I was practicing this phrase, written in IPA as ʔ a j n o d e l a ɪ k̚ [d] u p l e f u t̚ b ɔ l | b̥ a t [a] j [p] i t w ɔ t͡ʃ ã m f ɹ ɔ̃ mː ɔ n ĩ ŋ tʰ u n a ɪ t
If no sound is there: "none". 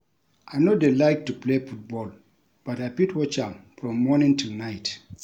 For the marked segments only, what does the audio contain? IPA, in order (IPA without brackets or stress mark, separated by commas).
t, a, p